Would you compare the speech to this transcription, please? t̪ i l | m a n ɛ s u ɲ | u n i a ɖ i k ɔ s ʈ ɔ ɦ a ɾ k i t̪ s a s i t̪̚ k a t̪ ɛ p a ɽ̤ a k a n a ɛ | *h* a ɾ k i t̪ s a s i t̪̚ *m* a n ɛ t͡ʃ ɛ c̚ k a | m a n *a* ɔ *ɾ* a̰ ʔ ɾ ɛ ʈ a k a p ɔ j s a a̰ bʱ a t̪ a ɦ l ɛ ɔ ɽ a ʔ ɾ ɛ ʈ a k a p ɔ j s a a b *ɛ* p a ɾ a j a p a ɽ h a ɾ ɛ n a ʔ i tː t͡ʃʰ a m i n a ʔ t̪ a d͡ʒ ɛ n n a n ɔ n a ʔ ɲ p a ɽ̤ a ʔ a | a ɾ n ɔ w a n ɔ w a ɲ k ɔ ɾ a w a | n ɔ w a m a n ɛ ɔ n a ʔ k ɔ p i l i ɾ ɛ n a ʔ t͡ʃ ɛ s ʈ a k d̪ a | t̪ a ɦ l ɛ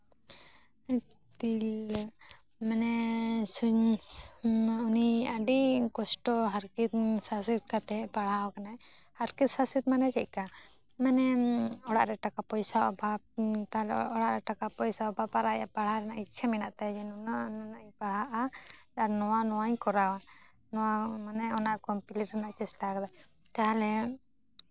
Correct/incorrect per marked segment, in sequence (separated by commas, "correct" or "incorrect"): correct, correct, incorrect, incorrect, incorrect